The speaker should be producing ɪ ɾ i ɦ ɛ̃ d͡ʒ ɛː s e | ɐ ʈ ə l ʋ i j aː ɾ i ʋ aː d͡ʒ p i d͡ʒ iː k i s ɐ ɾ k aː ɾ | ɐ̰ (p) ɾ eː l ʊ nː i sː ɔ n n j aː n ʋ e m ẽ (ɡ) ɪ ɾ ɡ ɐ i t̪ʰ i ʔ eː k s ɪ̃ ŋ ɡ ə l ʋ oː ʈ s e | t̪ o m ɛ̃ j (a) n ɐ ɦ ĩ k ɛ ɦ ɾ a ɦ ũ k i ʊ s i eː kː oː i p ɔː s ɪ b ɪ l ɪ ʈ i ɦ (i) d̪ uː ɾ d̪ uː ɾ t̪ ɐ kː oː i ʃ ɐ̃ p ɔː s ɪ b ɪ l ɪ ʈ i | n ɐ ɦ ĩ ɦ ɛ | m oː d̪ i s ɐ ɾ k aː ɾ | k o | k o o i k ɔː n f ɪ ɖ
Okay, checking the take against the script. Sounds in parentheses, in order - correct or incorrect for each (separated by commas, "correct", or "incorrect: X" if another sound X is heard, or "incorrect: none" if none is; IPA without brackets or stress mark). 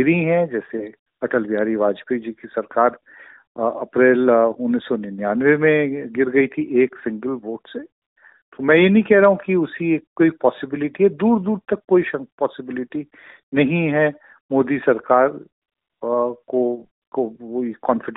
correct, correct, incorrect: e, incorrect: ɛ